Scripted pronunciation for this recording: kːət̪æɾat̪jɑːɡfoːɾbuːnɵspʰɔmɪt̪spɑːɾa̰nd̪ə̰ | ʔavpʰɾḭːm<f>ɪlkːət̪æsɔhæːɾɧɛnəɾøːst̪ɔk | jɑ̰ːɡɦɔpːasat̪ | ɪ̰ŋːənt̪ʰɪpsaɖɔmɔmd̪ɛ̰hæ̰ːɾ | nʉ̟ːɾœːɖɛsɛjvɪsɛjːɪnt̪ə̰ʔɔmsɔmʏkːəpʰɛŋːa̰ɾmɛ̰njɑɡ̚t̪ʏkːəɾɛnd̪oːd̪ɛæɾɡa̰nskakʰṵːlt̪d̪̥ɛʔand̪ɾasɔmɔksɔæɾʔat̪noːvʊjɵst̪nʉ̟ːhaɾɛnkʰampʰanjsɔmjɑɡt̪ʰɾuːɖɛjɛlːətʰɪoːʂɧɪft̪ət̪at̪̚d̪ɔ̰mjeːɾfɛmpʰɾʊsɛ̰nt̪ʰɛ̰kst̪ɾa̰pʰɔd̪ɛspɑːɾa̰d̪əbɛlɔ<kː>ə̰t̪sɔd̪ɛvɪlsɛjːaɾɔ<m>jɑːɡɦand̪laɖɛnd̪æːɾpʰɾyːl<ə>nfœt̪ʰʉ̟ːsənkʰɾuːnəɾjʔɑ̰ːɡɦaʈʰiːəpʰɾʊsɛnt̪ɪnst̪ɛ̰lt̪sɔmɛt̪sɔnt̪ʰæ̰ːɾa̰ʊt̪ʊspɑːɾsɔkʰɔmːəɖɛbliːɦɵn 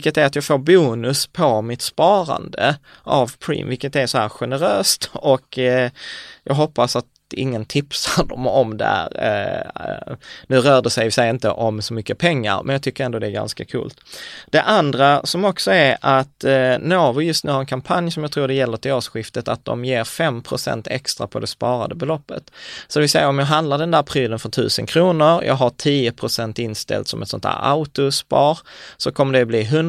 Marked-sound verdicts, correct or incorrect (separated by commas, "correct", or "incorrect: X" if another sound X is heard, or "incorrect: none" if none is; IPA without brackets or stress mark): incorrect: v, incorrect: pː, correct, correct